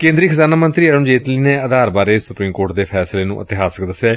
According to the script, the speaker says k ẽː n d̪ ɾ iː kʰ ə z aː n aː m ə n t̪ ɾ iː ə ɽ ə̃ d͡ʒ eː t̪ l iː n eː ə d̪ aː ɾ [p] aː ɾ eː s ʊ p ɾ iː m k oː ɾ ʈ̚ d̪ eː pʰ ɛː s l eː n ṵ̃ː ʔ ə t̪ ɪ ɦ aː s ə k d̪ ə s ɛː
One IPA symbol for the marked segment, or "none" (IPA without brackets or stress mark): b